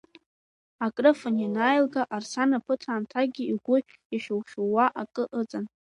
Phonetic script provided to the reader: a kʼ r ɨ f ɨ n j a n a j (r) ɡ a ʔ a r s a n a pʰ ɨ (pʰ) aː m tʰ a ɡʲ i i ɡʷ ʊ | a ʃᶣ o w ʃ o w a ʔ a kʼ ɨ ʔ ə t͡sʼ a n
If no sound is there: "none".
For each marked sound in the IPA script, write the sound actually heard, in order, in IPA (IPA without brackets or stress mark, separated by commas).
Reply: l, tʰ